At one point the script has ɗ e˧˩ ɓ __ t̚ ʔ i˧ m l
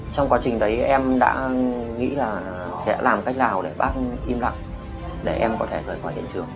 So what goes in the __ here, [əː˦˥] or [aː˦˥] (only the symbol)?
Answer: aː˦˥